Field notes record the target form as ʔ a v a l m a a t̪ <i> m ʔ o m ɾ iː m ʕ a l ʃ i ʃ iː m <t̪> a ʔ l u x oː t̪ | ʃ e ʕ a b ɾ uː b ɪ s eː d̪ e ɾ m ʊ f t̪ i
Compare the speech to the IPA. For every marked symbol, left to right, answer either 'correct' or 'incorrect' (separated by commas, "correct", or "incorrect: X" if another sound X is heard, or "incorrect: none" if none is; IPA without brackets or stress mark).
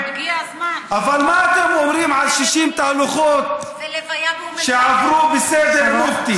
incorrect: e, correct